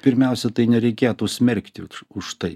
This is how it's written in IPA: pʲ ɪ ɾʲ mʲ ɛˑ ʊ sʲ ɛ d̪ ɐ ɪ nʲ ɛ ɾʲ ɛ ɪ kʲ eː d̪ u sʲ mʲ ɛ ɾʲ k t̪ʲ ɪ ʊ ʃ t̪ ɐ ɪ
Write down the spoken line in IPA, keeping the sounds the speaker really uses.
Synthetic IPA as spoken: pʲ ɪ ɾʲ mʲ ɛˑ ʊ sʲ ɛ t̪ ɐ ɪ nʲ ɛ ɾʲ ɛ ɪ kʲ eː t̪ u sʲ mʲ ɛ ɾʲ k t̪ʲ ɪ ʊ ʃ t̪ ɐ ɪ